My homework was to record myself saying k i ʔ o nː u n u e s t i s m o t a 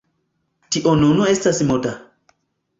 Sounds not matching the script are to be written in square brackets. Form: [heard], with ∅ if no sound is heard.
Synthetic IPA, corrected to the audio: [t] i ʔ o [n] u n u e s t [a] s m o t a